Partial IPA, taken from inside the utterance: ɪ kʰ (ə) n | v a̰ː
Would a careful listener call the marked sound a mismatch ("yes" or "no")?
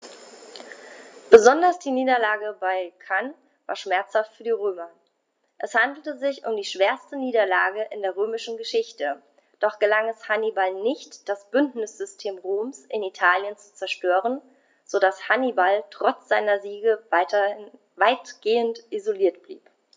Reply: yes